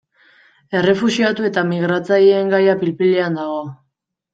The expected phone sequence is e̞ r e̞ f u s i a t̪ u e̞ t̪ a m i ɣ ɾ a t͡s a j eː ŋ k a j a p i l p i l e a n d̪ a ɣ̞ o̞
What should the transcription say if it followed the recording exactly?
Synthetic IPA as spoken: e̞ r e̞ f u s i a t̪ u e̞ t̪ a m i ɣ ɾ a t͡s a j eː ŋ ɡ a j a p i l p i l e a n d̪ a ɣ̞ o̞